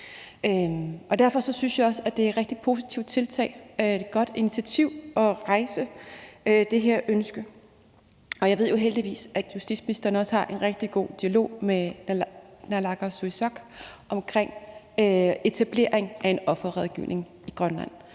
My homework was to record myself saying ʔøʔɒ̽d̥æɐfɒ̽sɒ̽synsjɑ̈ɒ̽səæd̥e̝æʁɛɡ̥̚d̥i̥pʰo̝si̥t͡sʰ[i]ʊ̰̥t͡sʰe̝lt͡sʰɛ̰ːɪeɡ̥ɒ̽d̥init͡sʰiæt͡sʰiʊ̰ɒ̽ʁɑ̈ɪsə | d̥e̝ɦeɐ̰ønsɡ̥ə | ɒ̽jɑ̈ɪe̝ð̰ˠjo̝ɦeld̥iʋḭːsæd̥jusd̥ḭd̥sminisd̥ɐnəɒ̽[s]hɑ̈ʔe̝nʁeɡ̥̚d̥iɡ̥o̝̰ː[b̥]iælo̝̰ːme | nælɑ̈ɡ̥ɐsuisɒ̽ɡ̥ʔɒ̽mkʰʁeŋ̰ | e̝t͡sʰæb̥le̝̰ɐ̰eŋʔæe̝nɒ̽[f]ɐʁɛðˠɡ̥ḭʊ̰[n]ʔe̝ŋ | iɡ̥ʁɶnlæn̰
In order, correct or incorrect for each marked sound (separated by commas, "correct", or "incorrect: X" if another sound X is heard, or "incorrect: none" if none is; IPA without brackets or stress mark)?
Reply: correct, correct, incorrect: d̥, correct, correct